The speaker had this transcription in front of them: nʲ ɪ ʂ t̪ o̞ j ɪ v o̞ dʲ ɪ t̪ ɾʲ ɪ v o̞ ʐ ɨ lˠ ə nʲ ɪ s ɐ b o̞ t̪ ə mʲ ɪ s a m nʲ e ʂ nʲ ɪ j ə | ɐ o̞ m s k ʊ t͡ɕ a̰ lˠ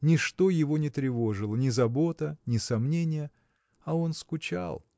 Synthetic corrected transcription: nʲ ɪ ʂ t̪ o̞ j ɪ v o̞ nʲ ɪ t̪ ɾʲ ɪ v o̞ ʐ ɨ lˠ ə nʲ ɪ z ɐ b o̞ t̪ ə nʲ ɪ s ɐ m nʲ e nʲ ɪ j ə | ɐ o̞ n s k ʊ t͡ɕ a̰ lˠ